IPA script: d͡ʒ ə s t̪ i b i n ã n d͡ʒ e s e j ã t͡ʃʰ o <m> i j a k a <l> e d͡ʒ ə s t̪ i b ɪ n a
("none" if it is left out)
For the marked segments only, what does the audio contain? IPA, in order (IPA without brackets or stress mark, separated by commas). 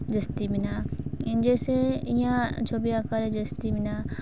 b, ɾ